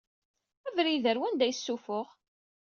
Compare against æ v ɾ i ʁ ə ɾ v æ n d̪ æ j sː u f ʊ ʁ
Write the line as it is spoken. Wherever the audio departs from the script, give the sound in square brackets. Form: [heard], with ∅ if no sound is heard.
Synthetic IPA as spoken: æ v ɾ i [ð] ə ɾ [w] æ n d̪ æ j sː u f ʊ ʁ